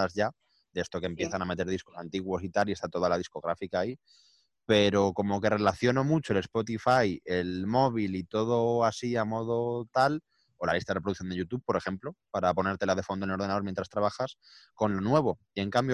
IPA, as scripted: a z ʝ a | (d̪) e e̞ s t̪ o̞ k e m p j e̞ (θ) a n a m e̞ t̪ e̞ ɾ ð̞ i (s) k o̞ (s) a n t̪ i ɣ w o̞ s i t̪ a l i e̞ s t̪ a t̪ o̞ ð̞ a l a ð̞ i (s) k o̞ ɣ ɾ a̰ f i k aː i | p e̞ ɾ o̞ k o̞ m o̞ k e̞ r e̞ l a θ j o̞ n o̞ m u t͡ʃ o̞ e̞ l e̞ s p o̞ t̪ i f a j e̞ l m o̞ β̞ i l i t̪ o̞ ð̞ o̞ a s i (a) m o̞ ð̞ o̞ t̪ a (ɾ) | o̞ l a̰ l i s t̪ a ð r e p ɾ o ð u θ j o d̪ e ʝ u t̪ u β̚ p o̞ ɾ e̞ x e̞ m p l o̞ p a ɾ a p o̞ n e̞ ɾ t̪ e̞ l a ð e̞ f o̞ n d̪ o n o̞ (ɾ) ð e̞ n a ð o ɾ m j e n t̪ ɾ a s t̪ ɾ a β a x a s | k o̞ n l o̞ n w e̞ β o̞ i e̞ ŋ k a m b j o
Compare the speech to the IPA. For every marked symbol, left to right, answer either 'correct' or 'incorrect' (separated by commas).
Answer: correct, correct, correct, correct, correct, correct, incorrect, correct